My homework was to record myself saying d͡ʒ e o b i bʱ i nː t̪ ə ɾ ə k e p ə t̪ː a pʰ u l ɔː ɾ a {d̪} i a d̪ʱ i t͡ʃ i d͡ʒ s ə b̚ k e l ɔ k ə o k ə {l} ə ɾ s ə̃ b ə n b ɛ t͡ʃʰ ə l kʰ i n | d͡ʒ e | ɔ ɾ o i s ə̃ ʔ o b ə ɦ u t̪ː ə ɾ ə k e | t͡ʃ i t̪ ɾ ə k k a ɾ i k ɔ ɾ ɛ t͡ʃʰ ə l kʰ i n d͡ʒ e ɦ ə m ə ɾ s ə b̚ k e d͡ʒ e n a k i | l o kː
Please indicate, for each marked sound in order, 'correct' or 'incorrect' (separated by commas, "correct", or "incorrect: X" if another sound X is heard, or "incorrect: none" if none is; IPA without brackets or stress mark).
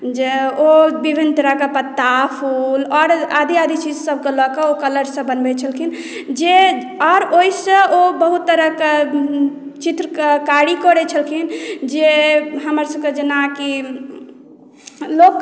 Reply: correct, correct